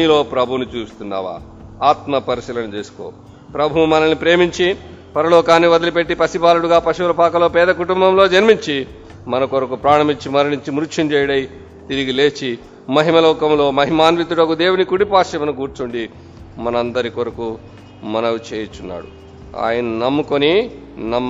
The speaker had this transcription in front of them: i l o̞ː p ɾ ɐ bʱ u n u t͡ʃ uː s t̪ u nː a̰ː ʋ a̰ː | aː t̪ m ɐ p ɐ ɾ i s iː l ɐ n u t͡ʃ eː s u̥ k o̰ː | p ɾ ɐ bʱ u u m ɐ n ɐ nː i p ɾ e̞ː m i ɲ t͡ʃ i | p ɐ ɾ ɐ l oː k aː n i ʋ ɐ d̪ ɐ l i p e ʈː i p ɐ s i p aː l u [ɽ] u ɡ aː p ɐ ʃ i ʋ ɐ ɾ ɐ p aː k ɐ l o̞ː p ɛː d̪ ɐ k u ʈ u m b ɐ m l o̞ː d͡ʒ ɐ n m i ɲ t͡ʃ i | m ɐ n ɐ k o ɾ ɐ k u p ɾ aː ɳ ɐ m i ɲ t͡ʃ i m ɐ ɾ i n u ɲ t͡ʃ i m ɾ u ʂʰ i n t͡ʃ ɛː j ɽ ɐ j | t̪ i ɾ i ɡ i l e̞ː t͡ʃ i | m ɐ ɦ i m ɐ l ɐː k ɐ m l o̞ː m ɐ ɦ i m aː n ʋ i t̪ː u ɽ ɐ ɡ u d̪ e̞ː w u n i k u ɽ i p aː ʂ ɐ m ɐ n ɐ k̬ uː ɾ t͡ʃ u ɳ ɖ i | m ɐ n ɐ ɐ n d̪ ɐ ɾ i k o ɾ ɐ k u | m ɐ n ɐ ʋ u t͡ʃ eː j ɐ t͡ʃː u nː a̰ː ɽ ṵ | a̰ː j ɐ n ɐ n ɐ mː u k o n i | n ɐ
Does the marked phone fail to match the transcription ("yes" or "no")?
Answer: no